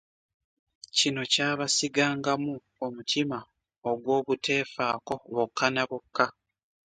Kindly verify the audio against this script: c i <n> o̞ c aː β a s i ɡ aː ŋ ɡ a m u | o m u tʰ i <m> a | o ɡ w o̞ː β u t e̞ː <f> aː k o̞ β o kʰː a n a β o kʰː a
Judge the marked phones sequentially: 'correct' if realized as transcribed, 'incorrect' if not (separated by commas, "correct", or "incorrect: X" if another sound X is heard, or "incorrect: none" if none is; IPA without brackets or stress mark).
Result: correct, correct, correct